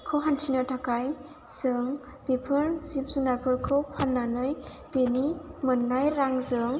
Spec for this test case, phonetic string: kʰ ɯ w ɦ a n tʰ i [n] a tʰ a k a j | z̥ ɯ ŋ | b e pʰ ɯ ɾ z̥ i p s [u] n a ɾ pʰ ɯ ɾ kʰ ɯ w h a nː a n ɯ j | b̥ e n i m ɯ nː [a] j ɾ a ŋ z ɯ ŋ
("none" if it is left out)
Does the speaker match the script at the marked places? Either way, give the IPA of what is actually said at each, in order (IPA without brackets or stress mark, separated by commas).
n, u, a